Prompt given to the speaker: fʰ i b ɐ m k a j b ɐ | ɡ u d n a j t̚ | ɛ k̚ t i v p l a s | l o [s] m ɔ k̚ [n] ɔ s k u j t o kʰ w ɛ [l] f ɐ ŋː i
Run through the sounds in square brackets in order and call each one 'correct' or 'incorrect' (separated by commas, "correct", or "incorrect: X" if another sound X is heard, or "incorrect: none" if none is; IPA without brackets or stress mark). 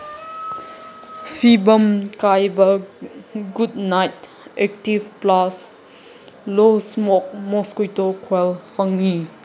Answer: correct, incorrect: m, correct